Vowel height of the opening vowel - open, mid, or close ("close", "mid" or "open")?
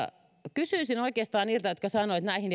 close